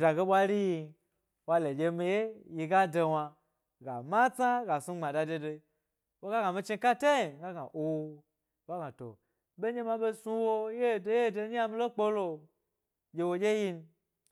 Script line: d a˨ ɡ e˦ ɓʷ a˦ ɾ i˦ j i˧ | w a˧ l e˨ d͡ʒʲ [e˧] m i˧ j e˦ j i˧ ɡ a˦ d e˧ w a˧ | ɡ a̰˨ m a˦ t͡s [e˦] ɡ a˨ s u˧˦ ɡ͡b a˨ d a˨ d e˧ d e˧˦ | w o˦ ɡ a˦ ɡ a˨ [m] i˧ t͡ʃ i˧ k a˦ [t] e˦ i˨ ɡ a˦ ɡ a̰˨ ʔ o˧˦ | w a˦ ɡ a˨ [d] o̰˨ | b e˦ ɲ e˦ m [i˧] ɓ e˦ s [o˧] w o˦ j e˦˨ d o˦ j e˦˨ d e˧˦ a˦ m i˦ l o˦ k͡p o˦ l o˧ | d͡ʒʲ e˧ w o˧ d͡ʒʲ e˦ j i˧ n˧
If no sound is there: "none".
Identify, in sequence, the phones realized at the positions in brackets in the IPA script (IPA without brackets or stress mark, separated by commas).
e˧, a˦, m, t, t, a˧, u˧